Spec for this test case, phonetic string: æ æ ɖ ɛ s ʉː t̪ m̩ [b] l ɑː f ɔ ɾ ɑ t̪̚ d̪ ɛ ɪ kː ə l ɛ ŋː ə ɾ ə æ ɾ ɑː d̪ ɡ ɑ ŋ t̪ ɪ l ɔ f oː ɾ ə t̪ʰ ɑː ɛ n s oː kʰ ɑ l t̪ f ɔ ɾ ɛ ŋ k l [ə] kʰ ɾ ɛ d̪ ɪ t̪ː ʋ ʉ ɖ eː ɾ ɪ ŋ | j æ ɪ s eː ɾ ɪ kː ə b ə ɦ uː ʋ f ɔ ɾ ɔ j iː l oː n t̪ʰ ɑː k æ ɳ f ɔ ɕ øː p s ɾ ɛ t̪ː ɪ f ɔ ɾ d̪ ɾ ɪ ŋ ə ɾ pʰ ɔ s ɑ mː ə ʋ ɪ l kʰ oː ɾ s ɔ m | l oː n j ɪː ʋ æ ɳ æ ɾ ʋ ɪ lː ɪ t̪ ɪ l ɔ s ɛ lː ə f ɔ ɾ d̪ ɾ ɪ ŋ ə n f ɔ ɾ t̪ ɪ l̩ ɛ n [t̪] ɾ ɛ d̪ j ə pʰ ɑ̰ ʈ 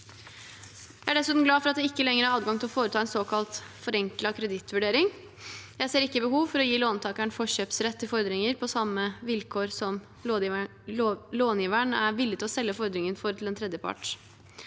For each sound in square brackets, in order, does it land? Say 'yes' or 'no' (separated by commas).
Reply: no, no, no